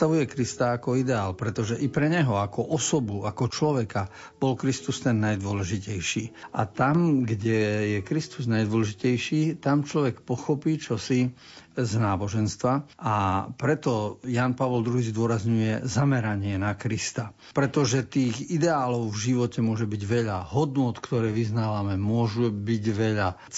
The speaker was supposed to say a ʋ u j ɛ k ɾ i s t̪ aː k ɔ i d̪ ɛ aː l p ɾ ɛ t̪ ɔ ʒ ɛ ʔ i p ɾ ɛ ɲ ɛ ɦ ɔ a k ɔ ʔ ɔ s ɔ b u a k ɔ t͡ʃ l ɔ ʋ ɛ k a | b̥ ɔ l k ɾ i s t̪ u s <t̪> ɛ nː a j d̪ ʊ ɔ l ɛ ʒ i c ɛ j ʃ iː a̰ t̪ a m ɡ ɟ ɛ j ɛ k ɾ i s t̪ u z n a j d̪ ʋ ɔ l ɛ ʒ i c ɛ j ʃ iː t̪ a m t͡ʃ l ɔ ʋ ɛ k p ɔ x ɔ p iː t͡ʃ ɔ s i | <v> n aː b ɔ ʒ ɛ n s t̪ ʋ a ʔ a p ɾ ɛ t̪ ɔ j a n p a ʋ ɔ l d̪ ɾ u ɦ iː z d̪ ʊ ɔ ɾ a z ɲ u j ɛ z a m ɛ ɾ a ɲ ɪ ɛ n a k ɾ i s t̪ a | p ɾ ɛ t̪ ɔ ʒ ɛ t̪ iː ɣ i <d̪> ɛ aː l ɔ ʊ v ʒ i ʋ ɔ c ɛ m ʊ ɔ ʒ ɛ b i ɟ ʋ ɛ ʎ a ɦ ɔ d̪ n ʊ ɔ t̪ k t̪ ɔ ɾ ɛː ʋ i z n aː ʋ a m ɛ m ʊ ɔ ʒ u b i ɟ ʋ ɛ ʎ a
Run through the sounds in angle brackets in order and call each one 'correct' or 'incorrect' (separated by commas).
correct, incorrect, correct